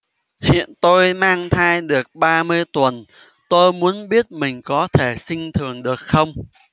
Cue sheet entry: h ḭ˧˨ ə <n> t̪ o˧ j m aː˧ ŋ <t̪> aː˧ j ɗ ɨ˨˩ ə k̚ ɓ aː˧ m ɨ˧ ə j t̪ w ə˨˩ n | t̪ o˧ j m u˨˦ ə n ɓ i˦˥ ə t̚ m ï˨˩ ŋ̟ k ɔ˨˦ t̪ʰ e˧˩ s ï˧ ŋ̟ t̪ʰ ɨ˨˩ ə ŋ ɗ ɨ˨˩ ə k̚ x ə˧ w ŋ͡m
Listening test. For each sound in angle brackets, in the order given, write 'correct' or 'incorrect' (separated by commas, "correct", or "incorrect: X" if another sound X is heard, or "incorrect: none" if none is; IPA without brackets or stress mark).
correct, incorrect: t̪ʰ